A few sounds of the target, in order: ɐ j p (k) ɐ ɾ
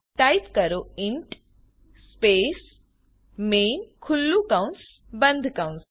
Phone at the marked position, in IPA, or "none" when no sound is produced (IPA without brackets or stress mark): k